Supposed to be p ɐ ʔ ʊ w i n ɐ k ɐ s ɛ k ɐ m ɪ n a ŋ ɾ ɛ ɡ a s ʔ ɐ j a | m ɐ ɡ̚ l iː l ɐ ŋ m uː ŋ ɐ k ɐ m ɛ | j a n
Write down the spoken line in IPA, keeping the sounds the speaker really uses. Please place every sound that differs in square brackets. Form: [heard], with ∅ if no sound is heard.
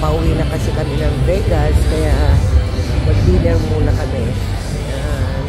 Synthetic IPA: p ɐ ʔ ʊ w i n ɐ k ɐ s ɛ k ɐ m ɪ n [ɐ] ŋ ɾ ɛ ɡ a s [k] ɐ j a | m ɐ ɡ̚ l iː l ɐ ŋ m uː [n] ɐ k ɐ m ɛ | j a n